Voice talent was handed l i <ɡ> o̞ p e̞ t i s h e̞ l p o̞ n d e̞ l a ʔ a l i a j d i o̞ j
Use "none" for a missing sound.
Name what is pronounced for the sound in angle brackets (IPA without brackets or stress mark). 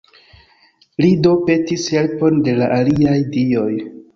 d